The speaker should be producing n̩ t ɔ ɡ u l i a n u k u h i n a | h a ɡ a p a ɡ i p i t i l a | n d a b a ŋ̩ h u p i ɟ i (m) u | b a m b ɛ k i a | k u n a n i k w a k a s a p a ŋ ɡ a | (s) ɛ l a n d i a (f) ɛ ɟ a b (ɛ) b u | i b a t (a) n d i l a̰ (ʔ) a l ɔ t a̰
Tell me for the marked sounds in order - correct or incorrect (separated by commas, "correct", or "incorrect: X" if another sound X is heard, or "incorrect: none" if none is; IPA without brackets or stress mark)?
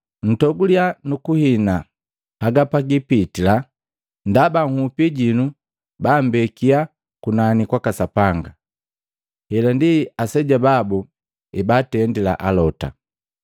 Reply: incorrect: n, incorrect: h, incorrect: s, incorrect: a, incorrect: ɛ, correct